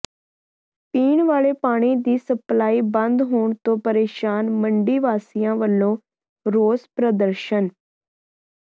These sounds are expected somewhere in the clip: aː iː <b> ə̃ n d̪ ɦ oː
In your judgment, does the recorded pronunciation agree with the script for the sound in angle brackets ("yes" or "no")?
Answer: yes